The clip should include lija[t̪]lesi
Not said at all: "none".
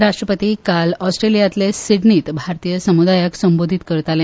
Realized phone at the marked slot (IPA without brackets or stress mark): t̪